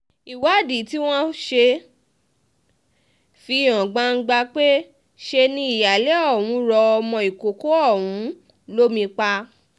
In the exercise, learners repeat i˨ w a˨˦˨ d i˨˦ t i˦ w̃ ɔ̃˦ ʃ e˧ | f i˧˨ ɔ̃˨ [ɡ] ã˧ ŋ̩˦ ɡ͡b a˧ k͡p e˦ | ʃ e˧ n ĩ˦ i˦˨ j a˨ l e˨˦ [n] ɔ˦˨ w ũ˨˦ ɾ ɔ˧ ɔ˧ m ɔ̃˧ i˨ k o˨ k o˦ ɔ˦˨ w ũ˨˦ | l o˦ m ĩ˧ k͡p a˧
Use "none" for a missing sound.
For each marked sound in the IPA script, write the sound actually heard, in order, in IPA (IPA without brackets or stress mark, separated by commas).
ɡ͡b, none